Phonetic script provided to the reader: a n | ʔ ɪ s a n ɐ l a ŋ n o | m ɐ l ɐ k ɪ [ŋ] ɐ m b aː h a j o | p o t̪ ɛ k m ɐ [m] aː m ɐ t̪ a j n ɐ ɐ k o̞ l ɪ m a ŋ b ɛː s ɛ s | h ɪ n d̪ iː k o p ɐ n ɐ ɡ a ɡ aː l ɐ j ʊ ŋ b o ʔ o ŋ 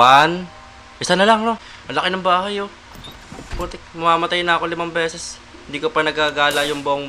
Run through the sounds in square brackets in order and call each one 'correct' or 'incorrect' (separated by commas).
incorrect, correct